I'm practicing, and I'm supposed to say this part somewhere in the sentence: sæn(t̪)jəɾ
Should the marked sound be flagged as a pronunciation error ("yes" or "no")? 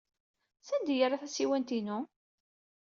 yes